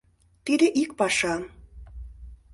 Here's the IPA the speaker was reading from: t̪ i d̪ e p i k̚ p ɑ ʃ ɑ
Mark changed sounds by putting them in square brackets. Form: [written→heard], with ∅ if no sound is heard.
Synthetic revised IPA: t̪ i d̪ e [p→ʔ] i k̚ p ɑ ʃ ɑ